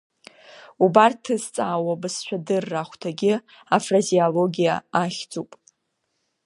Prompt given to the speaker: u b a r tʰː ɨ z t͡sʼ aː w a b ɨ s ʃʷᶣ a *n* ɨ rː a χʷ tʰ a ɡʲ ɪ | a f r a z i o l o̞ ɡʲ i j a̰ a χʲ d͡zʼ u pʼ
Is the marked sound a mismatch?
yes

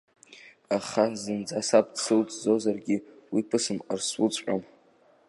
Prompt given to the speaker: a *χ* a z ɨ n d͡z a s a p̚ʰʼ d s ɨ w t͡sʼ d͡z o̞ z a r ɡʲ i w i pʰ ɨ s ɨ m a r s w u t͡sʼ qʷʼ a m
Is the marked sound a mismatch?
no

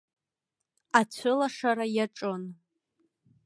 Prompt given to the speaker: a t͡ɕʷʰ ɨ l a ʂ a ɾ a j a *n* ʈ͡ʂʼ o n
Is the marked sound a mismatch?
yes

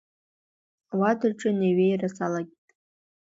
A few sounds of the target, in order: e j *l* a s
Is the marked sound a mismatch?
yes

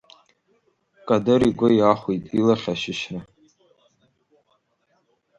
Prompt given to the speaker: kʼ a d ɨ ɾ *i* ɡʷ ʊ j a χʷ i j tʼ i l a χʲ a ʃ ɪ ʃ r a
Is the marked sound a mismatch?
no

